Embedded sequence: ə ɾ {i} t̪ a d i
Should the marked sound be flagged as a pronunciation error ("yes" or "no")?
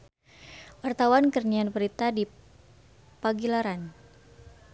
no